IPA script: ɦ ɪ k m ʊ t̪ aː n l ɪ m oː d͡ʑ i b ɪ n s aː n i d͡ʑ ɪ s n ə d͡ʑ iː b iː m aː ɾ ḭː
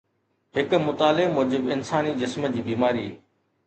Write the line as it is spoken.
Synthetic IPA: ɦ ɪ k m ʊ t̪ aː l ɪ m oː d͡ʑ ɪ b ɪ n s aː n i d͡ʑ ɪ s m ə d͡ʑ iː b iː m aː ɾ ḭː